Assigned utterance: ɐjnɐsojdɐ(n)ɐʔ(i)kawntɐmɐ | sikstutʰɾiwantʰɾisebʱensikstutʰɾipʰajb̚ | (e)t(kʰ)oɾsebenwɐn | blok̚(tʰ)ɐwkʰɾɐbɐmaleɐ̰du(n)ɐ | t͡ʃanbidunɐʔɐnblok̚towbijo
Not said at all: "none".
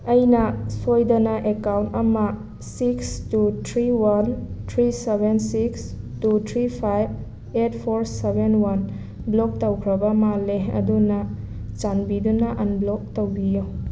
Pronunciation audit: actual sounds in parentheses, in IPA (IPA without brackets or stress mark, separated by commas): n, e, e, pʰ, t, n